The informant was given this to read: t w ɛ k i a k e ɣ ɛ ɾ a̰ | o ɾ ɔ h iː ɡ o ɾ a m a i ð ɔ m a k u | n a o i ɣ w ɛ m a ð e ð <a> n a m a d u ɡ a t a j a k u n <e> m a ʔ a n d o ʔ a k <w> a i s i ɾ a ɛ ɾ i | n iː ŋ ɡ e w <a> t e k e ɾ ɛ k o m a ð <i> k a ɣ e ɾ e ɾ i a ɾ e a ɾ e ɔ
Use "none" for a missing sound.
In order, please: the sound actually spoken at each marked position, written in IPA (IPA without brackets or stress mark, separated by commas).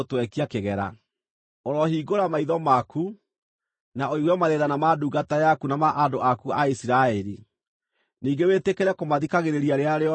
a, a, u, e, i